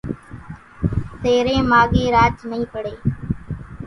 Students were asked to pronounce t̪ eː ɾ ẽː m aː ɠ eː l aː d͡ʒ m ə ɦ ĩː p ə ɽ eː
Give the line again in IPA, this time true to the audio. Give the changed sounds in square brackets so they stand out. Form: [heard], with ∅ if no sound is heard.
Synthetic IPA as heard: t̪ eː ɾ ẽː m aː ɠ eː [ɾ] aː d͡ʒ [n] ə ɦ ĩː p ə ɽ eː